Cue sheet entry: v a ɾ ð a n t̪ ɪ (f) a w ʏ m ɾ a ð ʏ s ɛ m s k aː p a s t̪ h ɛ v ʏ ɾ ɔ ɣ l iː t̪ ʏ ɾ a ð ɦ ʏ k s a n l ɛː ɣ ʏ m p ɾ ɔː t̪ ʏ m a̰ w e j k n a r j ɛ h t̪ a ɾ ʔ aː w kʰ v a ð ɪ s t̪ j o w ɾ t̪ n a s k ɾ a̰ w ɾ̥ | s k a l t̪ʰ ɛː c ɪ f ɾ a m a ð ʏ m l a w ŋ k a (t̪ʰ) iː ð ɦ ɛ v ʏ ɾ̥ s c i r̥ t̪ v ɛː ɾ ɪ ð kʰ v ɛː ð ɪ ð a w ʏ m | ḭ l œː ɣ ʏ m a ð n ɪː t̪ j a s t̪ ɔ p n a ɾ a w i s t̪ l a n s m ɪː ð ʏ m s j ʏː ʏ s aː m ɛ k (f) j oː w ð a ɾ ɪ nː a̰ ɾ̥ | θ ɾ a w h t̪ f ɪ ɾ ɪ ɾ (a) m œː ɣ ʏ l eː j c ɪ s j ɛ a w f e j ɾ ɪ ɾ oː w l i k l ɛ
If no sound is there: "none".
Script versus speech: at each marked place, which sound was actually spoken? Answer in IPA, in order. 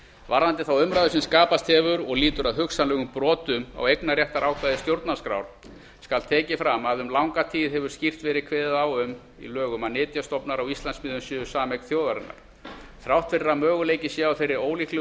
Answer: θ, t̪ʰ, θ, a

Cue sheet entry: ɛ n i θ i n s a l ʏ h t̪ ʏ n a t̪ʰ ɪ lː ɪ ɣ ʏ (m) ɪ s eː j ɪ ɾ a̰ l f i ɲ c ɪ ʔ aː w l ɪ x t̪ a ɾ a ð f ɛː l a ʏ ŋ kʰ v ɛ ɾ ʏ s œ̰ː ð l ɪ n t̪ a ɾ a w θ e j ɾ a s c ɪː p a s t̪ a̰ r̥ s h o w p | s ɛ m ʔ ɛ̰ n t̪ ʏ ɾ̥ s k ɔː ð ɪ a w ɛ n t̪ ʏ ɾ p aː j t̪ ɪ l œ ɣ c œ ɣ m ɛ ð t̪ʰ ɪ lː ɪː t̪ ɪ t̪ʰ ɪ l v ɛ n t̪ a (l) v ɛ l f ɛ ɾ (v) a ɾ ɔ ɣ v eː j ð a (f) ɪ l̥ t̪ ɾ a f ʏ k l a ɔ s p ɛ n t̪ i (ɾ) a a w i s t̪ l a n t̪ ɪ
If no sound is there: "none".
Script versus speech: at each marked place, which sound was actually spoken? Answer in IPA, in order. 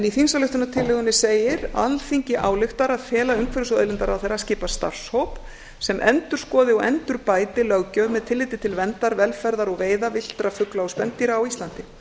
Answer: n, ɾ, ð, v, ɾ

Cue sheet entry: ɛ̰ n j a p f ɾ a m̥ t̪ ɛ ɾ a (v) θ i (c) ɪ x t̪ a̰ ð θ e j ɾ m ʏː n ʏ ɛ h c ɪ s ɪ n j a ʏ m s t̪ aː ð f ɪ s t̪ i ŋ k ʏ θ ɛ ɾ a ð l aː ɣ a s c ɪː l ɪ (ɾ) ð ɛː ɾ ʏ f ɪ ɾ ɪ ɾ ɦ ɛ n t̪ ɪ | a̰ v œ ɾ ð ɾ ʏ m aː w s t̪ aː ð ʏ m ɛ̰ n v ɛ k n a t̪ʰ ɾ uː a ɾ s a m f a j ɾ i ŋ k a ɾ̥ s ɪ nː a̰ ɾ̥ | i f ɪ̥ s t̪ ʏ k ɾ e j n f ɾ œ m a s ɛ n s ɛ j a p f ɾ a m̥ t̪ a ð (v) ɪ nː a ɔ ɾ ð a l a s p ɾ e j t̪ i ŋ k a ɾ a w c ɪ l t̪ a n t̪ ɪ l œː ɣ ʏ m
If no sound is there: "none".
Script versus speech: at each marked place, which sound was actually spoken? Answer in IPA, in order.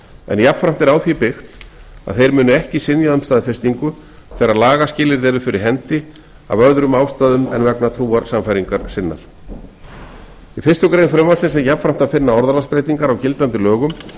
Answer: w, p, ɾ, f

